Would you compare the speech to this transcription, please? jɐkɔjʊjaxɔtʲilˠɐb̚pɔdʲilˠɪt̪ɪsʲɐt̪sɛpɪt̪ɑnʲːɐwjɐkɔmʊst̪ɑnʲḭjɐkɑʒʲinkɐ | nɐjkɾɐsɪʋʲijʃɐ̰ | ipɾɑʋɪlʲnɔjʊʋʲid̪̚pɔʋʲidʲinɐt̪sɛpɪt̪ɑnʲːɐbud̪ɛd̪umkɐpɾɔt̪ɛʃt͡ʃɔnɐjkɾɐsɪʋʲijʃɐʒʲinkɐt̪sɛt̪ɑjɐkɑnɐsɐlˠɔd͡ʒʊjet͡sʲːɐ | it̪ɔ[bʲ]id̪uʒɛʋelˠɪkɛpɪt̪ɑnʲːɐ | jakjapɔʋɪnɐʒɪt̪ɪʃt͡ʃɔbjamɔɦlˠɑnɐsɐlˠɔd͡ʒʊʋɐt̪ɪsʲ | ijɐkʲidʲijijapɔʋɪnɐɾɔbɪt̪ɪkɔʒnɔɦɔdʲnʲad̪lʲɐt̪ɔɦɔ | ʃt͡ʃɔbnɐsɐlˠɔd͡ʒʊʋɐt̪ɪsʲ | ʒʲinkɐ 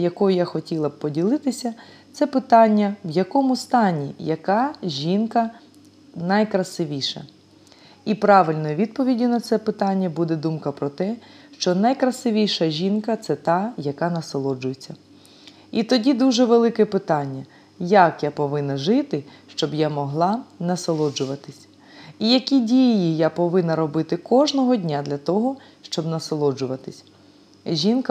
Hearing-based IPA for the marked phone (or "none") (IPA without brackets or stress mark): dʲ